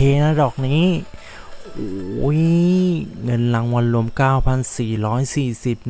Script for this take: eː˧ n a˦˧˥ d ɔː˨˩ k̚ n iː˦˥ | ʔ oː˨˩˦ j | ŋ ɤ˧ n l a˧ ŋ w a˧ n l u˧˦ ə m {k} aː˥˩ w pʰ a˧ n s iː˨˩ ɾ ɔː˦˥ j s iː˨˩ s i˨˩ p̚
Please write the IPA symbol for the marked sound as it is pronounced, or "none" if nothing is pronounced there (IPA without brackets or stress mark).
k